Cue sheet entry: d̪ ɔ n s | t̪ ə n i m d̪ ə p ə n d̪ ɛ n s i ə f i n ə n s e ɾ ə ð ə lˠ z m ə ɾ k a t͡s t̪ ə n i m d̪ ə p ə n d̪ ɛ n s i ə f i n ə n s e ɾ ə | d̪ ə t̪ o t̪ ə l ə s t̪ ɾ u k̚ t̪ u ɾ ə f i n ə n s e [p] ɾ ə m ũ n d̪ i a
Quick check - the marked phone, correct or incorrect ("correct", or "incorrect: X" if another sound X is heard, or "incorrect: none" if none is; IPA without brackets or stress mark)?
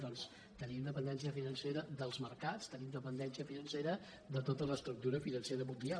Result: incorrect: none